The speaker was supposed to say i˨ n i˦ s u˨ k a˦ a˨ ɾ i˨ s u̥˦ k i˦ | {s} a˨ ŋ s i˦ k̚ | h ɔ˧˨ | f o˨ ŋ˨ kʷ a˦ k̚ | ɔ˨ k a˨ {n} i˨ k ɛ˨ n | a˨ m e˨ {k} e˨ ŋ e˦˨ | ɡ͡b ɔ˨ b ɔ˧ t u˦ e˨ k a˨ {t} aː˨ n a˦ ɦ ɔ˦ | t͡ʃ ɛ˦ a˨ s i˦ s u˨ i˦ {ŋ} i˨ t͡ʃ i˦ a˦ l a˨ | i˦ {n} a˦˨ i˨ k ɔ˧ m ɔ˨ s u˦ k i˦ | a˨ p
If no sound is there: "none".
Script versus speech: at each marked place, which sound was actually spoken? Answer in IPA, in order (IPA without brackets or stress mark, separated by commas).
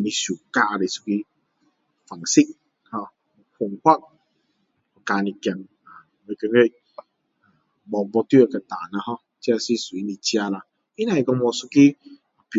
f, n, k, t, n, n